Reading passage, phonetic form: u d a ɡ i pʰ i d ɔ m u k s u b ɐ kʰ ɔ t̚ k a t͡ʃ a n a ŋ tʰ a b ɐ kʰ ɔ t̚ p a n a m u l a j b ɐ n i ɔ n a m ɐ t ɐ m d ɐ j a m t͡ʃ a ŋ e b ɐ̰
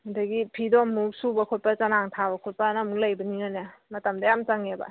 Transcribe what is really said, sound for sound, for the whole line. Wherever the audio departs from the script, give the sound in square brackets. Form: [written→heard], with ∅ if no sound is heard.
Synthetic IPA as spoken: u d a ɡ i pʰ i d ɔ m u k s u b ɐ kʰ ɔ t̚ [k→p] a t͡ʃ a n a ŋ tʰ a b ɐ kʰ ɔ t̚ p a n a m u l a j b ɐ n i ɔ n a m ɐ t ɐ m d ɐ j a m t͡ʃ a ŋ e b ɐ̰